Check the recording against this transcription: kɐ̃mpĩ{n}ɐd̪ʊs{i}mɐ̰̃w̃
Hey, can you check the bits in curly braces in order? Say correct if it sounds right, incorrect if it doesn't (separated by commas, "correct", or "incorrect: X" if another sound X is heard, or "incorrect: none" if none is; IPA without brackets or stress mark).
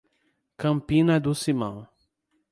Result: correct, correct